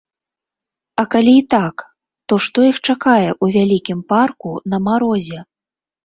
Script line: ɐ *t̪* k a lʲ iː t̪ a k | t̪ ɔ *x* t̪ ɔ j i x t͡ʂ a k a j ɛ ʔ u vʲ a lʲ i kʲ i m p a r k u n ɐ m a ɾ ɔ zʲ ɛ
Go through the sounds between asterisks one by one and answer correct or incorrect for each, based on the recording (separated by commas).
incorrect, incorrect